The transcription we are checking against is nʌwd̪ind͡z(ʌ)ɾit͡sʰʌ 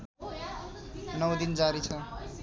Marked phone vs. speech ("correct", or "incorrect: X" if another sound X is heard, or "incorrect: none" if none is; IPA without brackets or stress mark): incorrect: a